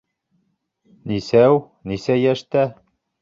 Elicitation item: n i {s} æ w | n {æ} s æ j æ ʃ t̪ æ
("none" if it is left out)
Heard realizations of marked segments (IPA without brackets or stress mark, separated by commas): s, i